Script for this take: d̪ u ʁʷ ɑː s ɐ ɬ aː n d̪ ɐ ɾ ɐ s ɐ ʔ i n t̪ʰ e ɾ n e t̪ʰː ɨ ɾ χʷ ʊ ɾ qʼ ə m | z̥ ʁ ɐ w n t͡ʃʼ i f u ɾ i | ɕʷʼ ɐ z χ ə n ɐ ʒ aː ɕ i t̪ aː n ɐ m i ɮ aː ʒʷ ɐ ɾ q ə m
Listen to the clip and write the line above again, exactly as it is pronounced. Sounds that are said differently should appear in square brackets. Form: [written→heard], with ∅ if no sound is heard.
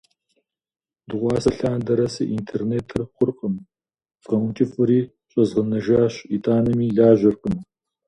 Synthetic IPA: d̪ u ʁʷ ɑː s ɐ ɬ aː n d̪ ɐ ɾ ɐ s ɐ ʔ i n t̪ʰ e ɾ n e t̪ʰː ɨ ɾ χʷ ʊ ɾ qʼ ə m | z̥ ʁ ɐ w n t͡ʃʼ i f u ɾ i | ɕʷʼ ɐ z [χ→ʁ] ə n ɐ ʒ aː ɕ i t̪ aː n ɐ m i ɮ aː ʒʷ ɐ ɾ q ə m